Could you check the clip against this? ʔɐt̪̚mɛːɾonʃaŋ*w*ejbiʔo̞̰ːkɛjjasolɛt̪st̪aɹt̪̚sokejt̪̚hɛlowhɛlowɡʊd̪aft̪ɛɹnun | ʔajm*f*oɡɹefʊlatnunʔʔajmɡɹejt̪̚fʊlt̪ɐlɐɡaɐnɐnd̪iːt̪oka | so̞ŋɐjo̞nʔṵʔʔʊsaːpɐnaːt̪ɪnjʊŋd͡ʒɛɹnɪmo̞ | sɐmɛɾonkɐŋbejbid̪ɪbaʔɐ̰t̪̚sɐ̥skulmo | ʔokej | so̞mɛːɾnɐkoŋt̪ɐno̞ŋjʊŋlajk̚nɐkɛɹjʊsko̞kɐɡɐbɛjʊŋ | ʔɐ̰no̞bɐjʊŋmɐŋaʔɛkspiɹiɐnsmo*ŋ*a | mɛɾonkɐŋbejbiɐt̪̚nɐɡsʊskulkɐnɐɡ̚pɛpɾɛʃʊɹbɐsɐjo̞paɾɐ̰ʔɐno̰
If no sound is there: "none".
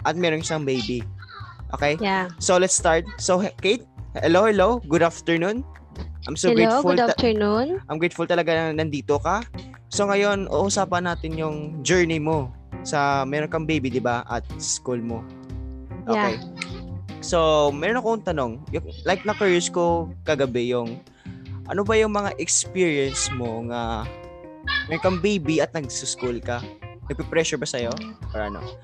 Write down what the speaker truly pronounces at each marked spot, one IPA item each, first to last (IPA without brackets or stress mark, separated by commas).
b, s, ŋ